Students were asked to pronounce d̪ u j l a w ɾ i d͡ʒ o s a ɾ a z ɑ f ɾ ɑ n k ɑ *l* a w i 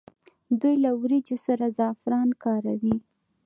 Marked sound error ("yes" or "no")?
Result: yes